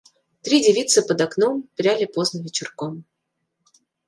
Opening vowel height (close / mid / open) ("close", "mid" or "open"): close